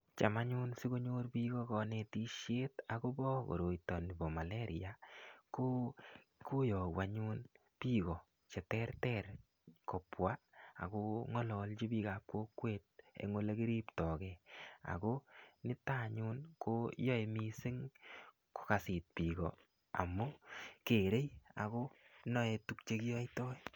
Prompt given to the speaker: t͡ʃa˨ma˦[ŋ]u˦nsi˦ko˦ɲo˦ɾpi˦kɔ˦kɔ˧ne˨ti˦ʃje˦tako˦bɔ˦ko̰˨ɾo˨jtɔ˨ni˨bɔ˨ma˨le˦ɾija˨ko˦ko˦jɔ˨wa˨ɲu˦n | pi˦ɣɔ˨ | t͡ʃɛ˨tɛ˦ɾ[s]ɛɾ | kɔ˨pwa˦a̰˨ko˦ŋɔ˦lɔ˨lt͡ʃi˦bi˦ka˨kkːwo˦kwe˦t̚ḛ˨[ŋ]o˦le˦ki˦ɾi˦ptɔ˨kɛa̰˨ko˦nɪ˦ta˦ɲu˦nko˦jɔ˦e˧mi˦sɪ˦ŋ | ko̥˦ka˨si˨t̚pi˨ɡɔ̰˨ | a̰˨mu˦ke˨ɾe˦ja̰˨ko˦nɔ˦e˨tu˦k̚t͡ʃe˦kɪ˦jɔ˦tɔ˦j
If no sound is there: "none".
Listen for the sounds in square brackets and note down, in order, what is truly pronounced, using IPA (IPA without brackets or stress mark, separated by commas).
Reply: ɲ, t, ŋ